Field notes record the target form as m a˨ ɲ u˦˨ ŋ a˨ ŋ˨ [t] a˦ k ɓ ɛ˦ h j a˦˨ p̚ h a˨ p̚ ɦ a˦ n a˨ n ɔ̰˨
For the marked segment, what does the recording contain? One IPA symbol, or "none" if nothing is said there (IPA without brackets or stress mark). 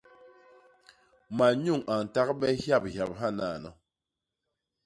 t